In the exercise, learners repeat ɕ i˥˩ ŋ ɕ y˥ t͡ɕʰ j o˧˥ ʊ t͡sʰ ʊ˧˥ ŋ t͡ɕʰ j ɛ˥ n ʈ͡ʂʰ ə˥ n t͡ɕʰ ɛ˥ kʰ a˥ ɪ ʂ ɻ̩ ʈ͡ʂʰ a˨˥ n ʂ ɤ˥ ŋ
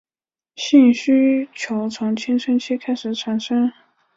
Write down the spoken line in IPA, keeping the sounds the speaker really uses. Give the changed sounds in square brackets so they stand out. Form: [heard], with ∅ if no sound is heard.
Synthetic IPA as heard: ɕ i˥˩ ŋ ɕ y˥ t͡ɕʰ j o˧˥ ʊ t͡sʰ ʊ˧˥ ŋ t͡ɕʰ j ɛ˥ n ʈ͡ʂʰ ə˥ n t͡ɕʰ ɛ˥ kʰ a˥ ɪ ʂ ɻ̩ ʈ͡ʂʰ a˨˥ n ʂ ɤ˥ ŋ